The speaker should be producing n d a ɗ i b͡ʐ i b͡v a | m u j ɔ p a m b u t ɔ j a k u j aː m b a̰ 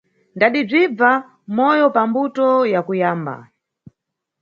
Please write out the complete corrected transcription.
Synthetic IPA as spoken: n d a ɗ i b͡ʐ i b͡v a | m ɔ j ɔ p a m b u t ɔ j a k u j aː m b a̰